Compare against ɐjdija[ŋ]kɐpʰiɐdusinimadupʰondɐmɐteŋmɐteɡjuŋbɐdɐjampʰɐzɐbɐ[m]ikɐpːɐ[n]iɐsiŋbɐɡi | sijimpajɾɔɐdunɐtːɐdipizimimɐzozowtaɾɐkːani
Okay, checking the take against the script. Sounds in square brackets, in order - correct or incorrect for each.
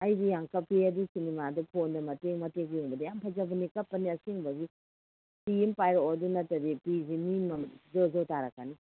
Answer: correct, incorrect: n, correct

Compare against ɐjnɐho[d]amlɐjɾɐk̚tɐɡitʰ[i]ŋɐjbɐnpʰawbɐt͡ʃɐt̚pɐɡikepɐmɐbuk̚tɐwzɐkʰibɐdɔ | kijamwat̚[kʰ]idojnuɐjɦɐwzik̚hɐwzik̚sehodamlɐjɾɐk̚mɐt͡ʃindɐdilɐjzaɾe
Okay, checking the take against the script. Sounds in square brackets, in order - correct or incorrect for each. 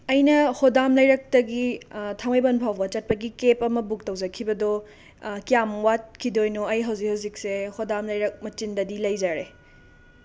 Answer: correct, incorrect: a, correct

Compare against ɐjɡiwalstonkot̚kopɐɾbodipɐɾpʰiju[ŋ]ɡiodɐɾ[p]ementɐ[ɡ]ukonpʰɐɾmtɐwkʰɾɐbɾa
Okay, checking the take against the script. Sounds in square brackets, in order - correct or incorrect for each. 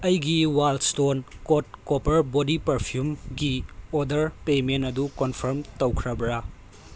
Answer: incorrect: m, correct, incorrect: d

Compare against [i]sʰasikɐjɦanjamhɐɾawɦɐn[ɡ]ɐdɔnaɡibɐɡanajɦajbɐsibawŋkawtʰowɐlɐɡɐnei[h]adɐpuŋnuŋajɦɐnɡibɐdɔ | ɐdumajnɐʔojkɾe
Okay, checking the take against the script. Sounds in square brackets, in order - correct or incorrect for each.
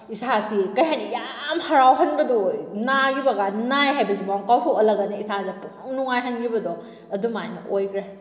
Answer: correct, incorrect: b, incorrect: s

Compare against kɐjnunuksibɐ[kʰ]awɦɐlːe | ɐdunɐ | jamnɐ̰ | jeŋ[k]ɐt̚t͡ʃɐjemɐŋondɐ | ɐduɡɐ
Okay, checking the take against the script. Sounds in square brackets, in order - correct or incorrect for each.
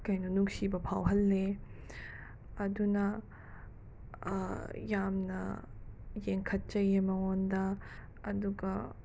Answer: incorrect: pʰ, incorrect: kʰ

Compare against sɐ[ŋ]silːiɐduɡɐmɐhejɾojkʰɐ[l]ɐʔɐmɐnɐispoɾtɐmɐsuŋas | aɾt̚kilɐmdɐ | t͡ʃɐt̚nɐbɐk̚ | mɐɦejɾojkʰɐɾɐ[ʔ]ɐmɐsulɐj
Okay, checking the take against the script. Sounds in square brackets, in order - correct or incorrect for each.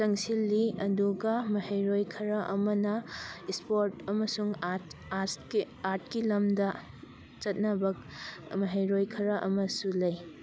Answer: correct, incorrect: ɾ, correct

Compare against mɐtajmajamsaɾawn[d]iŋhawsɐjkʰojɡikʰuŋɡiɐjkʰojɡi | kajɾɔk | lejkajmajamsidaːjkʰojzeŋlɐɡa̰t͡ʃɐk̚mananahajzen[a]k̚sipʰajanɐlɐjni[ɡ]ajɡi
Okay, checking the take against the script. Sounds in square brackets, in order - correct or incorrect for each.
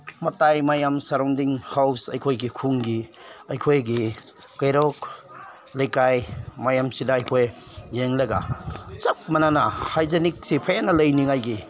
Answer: correct, incorrect: i, incorrect: ŋ

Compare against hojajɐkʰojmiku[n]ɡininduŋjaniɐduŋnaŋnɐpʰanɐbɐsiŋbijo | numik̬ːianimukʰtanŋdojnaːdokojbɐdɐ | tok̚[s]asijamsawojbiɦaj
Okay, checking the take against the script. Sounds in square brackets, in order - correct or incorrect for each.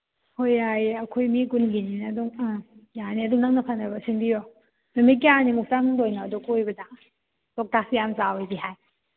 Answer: correct, incorrect: t

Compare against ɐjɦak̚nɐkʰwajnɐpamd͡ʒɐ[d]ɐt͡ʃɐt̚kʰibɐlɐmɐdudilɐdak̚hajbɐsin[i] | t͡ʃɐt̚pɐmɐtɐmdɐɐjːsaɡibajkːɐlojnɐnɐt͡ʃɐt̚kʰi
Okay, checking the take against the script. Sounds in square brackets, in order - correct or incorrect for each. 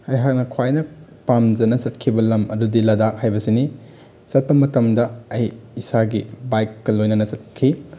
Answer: incorrect: n, correct

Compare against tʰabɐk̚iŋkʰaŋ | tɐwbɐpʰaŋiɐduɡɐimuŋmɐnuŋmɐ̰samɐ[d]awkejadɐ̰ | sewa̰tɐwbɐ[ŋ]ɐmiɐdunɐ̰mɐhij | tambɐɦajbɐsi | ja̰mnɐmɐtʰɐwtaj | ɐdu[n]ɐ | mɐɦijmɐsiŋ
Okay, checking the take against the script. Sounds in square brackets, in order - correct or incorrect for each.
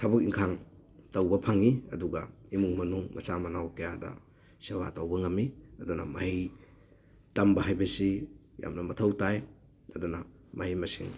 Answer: incorrect: n, correct, correct

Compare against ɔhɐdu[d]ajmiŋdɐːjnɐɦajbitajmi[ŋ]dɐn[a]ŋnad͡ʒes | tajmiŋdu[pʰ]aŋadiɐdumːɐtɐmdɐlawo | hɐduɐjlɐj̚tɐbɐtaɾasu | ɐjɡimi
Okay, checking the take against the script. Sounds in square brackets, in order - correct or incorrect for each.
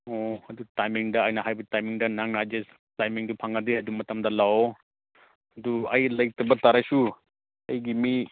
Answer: incorrect: t, correct, correct, correct

